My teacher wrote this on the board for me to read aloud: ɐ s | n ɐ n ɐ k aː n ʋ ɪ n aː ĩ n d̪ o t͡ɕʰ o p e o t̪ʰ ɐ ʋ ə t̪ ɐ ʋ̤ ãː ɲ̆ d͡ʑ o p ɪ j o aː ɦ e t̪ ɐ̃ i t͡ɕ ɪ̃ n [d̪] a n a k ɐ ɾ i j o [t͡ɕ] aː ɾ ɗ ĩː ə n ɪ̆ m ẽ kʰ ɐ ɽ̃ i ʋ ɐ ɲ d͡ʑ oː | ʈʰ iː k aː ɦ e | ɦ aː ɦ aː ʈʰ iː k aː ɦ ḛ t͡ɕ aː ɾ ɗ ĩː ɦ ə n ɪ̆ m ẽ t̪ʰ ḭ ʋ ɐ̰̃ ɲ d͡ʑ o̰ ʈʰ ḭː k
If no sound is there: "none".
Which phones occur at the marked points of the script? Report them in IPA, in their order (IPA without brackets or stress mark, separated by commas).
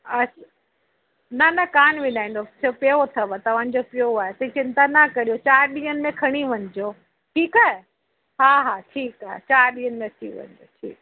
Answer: t̪, t͡ɕ